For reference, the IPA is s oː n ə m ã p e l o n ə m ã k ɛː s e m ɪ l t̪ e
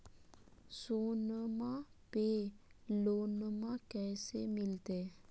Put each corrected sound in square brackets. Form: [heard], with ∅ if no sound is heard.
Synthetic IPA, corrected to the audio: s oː n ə m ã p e l o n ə m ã k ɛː s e m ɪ l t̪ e